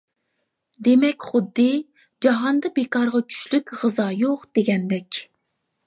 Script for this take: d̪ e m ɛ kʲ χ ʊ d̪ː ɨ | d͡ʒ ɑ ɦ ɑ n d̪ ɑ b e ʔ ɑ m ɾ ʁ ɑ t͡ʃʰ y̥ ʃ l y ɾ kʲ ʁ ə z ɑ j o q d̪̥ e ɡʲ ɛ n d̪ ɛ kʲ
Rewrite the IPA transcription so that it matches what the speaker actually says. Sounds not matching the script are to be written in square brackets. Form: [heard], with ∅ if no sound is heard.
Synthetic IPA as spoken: d̪ e m ɛ kʲ χ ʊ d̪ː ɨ | d͡ʒ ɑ ɦ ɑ n d̪ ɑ b e [k] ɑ [∅] ɾ ʁ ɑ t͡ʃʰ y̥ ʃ l y [∅] kʲ ʁ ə z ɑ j o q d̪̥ e ɡʲ ɛ n d̪ ɛ kʲ